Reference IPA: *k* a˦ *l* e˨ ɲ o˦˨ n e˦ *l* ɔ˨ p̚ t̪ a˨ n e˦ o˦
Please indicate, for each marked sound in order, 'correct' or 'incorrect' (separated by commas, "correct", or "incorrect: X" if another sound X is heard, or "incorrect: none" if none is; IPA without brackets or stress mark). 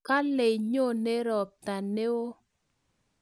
correct, correct, incorrect: ɾ